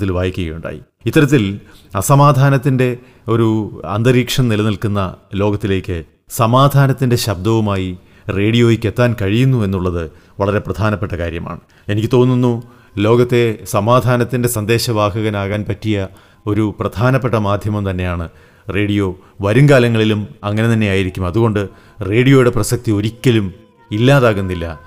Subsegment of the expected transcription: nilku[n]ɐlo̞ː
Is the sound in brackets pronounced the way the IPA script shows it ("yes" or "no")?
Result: no